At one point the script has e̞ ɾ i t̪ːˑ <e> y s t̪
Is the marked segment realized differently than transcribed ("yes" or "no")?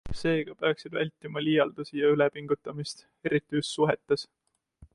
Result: yes